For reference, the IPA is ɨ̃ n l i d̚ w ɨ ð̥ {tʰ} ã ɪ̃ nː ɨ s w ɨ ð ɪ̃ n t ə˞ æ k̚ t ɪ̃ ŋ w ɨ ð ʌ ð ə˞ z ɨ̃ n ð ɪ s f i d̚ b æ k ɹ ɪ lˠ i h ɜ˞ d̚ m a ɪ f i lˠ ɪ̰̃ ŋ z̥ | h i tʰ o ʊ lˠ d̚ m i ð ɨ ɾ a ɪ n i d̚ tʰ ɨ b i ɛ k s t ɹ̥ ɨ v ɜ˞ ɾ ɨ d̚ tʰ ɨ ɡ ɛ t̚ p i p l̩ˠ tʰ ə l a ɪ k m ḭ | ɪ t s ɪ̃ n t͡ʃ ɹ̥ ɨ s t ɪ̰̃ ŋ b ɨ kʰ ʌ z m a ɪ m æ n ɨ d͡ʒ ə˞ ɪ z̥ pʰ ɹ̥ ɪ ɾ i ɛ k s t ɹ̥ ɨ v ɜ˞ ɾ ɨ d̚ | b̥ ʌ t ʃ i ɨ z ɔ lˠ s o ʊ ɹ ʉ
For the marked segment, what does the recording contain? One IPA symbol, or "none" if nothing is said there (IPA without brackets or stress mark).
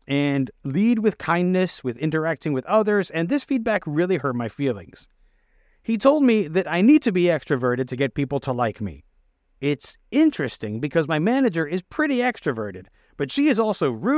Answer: kʰ